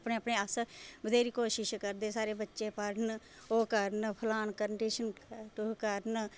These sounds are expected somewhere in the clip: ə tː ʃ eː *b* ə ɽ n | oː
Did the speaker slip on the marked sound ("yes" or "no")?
yes